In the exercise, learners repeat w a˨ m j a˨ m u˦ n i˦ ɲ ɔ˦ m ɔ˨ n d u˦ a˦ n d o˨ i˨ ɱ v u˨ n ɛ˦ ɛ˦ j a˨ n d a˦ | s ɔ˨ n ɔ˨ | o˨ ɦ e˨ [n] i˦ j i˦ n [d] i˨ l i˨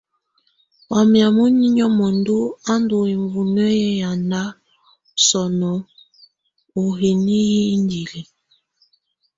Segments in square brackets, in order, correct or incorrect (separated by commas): correct, correct